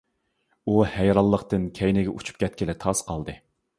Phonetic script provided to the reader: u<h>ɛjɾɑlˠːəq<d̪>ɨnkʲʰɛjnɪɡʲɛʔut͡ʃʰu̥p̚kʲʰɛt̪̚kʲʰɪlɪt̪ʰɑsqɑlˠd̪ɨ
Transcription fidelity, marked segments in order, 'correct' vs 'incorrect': correct, incorrect: t̪

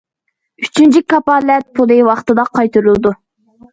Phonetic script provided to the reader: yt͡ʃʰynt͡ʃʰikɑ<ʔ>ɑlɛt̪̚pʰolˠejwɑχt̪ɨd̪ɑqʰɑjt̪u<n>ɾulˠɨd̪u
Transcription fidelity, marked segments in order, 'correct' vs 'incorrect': incorrect: p, incorrect: none

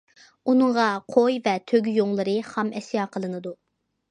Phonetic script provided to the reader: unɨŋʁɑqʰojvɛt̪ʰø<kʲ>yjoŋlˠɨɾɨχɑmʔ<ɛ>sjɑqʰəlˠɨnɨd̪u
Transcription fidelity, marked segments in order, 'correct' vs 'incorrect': incorrect: ɡʲ, correct

